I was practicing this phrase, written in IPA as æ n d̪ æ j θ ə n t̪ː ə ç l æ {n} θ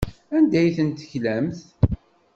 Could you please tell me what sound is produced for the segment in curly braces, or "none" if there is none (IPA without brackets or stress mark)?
m